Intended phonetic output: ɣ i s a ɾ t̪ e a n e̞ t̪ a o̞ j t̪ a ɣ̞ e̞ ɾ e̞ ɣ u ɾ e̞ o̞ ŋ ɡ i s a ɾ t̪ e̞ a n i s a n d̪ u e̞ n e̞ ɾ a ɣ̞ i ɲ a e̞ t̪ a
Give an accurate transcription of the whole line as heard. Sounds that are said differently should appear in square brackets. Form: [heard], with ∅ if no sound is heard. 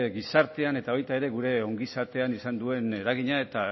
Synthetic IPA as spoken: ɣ i s a ɾ t̪ e a n e̞ t̪ a o̞ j t̪ a [∅] e̞ ɾ e̞ ɣ u ɾ e̞ o̞ ŋ ɡ i s a ɾ t̪ e̞ a n i s a n d̪ u e̞ n e̞ ɾ a ɣ̞ i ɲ a e̞ t̪ a